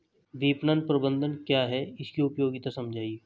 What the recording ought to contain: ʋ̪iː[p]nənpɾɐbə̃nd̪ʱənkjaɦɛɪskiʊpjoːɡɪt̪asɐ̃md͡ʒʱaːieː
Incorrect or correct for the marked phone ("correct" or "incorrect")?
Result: correct